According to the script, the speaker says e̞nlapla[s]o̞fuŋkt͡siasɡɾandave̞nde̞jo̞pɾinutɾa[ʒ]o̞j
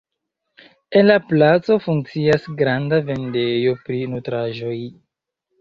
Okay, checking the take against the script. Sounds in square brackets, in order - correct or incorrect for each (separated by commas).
incorrect, correct